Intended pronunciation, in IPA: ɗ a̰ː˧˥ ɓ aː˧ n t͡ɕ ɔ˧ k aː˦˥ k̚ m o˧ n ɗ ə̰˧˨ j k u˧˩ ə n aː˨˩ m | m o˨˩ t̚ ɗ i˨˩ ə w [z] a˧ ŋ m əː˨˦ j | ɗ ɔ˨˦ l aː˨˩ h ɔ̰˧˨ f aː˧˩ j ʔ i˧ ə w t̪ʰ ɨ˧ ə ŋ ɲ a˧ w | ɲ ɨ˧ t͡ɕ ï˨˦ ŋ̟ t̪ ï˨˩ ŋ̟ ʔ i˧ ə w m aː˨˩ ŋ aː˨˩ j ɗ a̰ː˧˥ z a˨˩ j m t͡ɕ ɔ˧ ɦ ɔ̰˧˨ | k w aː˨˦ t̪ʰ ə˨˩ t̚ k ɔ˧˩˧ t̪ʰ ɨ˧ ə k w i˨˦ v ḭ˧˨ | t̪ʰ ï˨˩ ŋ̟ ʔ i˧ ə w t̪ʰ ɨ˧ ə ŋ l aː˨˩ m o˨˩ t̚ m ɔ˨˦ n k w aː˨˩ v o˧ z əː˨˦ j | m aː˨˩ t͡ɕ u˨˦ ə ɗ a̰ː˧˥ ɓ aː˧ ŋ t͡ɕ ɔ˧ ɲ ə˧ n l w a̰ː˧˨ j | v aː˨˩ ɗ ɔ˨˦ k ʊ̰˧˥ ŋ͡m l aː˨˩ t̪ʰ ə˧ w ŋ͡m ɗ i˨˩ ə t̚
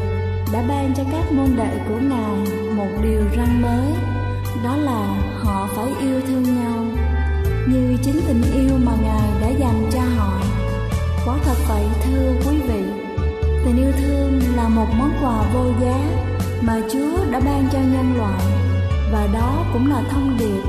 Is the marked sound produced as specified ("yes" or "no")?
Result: yes